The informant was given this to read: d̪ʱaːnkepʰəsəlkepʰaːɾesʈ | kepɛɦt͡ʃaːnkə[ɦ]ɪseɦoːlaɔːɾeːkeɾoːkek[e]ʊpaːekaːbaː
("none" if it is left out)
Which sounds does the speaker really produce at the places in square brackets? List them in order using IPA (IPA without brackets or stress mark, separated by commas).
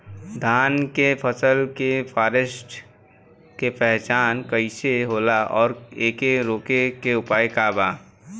none, e